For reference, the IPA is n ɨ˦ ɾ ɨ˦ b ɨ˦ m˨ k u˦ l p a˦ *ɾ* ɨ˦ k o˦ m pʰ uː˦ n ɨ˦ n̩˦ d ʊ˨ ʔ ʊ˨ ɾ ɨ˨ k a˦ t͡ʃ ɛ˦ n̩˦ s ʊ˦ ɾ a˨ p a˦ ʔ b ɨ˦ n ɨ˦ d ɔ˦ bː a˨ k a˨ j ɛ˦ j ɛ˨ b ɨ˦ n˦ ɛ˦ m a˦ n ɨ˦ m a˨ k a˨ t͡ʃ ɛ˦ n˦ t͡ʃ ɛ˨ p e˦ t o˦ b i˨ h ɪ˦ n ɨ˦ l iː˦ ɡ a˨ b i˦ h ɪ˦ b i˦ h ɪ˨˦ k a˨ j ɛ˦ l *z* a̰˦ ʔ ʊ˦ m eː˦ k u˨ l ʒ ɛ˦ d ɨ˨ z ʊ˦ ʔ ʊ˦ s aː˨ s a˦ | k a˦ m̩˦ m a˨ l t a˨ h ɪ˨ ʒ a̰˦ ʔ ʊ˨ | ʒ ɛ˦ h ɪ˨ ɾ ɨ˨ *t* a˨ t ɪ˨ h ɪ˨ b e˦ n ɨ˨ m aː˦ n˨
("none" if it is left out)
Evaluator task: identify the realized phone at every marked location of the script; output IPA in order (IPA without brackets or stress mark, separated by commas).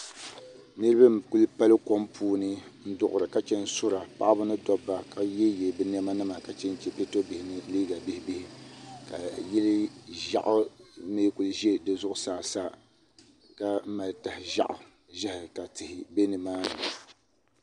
l, ʒ, k